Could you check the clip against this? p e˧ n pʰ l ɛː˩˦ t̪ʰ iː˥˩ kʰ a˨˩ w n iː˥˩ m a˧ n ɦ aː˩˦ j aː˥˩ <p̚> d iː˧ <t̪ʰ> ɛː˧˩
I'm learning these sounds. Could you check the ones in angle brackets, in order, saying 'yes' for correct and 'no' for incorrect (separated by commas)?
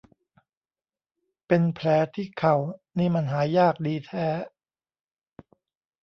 no, yes